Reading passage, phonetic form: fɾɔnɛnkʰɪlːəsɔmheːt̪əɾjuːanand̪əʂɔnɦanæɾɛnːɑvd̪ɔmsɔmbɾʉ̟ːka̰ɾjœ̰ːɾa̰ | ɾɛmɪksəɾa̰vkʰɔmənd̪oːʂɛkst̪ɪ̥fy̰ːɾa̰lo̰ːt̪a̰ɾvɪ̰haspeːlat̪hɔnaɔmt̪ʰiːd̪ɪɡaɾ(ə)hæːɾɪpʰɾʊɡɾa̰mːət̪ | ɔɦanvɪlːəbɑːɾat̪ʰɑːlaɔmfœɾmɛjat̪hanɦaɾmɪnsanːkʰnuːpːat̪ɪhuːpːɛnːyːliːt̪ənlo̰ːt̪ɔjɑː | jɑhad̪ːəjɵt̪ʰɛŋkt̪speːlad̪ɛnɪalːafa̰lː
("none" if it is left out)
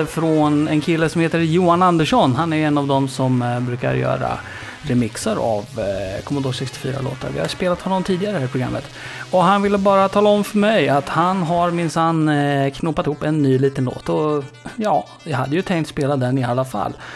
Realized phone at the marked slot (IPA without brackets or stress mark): ə